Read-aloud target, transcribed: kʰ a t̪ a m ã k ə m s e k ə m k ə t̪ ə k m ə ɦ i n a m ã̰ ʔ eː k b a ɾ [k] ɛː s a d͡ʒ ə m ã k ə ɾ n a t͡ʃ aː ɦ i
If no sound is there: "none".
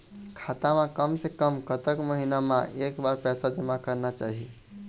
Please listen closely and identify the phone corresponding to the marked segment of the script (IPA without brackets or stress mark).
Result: p